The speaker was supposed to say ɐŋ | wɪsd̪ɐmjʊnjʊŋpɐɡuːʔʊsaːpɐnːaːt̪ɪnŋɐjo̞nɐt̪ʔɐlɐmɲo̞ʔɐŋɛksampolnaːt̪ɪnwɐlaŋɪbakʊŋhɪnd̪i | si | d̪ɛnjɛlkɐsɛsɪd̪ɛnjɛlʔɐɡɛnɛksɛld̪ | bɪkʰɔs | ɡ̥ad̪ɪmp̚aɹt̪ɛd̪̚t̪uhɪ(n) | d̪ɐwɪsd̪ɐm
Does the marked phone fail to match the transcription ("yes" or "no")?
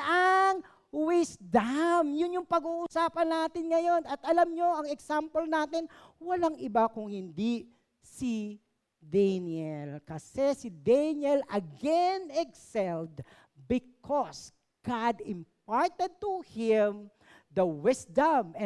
yes